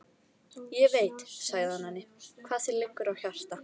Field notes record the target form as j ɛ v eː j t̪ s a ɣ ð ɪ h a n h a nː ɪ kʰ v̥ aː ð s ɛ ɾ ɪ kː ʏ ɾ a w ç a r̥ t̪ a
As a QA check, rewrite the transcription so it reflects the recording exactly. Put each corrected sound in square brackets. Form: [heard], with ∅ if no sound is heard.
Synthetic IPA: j ɛ v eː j t̪ s a ɣ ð ɪ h a n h a nː ɪ kʰ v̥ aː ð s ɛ [l] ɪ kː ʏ ɾ a w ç a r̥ t̪ a